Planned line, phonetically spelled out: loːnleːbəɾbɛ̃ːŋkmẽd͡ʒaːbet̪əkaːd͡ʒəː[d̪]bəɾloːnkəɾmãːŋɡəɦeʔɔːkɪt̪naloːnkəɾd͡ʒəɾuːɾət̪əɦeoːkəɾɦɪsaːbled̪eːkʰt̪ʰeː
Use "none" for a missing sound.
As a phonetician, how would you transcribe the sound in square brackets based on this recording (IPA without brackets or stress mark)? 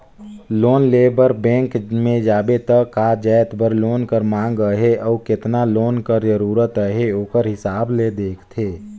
t̪